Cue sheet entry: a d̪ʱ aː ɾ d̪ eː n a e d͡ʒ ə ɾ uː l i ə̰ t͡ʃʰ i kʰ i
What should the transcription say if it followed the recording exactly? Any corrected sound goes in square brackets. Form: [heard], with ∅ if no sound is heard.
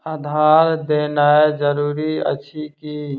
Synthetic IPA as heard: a d̪ʱ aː ɾ d̪ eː n a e d͡ʒ ə ɾ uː [ɾ] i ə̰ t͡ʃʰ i [k] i